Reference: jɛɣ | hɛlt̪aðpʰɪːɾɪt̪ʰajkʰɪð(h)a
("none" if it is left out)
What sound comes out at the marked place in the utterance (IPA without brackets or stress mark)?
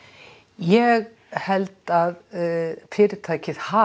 h